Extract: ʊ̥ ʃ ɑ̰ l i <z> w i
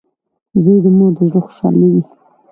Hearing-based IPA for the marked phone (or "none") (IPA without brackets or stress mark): none